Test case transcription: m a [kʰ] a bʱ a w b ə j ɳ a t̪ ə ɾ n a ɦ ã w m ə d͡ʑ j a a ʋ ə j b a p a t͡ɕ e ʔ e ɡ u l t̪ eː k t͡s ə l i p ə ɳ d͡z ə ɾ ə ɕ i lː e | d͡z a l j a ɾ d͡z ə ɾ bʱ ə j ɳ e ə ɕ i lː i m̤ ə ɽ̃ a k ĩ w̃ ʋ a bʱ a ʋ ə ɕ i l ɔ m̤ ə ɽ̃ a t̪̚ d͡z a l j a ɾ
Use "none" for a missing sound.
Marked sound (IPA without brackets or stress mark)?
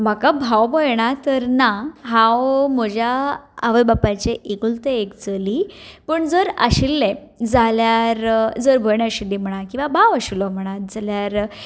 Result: k